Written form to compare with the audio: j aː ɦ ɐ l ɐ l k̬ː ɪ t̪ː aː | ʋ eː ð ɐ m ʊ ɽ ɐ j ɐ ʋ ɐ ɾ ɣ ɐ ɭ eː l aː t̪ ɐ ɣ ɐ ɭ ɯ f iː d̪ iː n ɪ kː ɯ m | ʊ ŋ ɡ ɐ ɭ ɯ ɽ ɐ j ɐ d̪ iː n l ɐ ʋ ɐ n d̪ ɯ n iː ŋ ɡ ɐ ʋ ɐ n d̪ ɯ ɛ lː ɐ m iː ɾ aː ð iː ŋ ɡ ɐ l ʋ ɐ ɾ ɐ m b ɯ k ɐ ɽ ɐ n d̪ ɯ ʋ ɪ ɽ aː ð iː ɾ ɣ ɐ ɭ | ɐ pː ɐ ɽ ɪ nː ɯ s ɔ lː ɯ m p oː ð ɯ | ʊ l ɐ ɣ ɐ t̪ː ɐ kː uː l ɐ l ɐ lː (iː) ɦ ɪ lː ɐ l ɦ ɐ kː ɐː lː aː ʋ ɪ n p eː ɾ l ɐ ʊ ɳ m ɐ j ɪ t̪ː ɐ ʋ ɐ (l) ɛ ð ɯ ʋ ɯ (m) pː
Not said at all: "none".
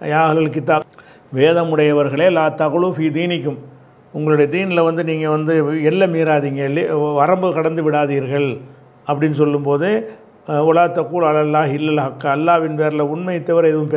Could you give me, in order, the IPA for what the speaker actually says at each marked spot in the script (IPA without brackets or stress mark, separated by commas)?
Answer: aː, ɾ, m